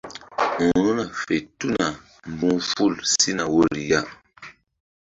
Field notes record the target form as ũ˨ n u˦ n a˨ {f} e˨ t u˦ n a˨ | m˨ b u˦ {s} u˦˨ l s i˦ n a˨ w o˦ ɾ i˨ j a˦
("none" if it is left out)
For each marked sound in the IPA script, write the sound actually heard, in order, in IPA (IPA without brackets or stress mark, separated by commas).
f, f